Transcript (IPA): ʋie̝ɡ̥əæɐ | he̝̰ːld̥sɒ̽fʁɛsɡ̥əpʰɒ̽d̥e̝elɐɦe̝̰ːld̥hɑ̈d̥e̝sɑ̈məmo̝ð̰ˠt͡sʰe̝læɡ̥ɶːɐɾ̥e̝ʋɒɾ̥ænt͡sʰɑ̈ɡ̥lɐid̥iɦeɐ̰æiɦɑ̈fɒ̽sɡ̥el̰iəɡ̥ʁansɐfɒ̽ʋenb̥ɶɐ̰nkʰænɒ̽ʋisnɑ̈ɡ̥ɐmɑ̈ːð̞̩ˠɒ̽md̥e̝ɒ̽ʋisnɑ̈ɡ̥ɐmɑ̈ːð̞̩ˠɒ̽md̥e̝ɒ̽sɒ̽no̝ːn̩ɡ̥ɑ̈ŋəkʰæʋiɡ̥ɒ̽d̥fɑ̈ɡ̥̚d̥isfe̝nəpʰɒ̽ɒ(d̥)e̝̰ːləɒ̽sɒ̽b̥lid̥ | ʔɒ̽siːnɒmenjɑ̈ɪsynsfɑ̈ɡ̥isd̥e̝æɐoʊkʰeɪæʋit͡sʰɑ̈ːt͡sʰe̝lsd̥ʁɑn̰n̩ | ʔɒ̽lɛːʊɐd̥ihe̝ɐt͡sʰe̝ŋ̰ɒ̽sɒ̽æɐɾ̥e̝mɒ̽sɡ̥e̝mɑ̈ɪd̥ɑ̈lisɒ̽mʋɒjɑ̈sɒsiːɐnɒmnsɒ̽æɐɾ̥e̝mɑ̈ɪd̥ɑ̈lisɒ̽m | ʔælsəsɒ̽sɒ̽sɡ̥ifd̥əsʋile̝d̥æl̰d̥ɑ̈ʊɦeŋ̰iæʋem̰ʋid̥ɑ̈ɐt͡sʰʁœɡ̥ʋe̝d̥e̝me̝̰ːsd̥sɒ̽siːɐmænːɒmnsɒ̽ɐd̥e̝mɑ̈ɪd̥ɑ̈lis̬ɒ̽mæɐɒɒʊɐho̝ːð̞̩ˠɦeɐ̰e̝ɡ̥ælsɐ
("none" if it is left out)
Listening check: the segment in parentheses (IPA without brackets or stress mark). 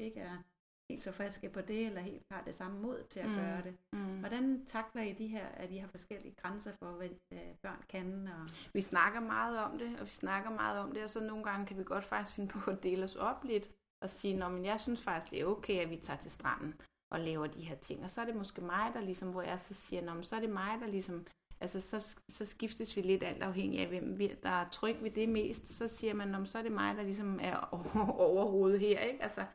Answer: d̥